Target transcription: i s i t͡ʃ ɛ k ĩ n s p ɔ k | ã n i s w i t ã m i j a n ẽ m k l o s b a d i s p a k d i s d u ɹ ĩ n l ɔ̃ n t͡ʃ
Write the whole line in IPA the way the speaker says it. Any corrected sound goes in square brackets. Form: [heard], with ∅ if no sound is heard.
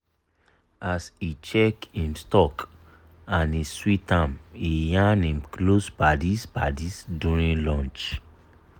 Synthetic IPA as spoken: [a] s i t͡ʃ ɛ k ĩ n s [t] ɔ k | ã n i s w i t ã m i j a n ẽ m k l o s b a d i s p a [∅] d i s d u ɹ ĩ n l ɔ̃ n t͡ʃ